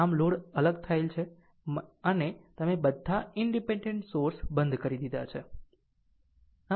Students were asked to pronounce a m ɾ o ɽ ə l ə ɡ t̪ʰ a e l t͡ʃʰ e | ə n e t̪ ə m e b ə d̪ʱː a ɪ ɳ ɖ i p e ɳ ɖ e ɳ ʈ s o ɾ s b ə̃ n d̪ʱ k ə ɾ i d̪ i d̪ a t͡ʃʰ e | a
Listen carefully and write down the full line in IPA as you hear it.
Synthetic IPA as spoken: a m l o ɽ ə l ə ɡ t̪ʰ a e l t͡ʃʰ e | ə n e t̪ ə m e b ə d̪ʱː a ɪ ɳ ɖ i p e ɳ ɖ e ɳ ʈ s o ɾ s b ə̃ n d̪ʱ k ə ɾ i d̪ i d̪ a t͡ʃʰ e | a